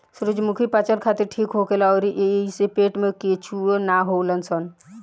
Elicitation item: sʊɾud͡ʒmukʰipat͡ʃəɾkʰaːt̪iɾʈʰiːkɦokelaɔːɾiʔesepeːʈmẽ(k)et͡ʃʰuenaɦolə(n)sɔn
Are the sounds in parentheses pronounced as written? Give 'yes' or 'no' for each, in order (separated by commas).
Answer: yes, yes